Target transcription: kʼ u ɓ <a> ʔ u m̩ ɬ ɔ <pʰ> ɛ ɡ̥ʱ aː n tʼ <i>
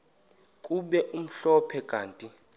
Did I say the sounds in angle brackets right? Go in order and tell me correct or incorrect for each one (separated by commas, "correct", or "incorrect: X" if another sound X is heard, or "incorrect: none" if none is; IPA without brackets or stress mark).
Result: incorrect: ɛ, correct, correct